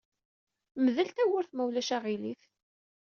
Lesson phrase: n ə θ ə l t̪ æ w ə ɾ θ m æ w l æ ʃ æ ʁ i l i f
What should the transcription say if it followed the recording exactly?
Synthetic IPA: m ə ð ə l t̪ æ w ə ɾ θ m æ w l æ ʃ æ ʁ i l i θ